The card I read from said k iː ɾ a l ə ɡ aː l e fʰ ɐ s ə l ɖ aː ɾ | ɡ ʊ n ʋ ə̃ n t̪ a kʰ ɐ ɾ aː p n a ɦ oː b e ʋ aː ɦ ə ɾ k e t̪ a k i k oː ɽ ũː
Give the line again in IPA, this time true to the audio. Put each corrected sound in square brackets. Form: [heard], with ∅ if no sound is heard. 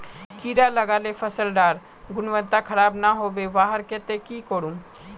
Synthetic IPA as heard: k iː ɾ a l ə ɡ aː l e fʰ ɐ s ə l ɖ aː ɾ | ɡ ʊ n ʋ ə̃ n t̪ a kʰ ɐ ɾ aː [b] n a ɦ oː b e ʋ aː ɦ ə ɾ k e t̪ [e] k i k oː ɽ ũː